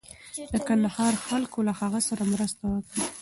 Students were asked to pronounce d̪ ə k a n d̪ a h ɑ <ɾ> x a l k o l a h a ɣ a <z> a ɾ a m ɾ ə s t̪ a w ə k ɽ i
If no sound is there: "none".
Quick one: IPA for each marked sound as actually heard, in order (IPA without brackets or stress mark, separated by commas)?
ɾ, s